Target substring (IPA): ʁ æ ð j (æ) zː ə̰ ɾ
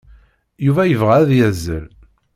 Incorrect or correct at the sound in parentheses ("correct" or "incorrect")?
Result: correct